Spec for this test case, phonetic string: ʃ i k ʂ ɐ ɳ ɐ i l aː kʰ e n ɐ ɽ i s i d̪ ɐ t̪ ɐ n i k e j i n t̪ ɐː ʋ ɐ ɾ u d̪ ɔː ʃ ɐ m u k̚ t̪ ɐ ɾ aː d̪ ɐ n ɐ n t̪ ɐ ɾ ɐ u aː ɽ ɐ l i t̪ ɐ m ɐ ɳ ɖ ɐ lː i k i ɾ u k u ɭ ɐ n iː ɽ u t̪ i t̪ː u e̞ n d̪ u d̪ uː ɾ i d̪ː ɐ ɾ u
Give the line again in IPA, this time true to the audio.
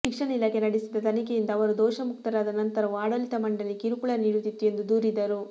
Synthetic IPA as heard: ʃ i k ʂ ɐ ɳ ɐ i l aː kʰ e n ɐ ɽ i s i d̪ ɐ t̪ ɐ n i k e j i n d̪ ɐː ʋ ɐ ɾ u d̪ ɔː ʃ ɐ m u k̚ t̪ ɐ ɾ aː d̪ ɐ n ɐ n t̪ ɐ ɾ ɐ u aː ɽ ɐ l i t̪ ɐ m ɐ ɳ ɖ ɐ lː i k i ɾ u k u ɭ ɐ n iː ɽ u t̪ i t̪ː u e̞ n d̪ u d̪ uː ɾ i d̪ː ɐ ɾ u